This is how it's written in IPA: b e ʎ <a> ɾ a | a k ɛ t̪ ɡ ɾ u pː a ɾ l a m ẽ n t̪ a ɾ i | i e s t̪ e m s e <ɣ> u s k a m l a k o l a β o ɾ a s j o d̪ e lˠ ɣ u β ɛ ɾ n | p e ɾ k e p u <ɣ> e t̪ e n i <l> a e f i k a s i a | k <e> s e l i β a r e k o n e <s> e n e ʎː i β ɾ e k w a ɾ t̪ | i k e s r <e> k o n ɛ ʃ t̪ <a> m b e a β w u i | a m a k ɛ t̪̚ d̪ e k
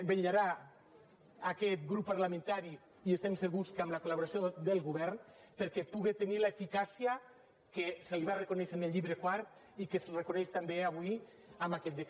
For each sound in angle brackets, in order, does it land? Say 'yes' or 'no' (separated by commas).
yes, yes, yes, yes, yes, no, yes, yes